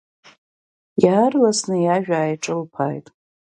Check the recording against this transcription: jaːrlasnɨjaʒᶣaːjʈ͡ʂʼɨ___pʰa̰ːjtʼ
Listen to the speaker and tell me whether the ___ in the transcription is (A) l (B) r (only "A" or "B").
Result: A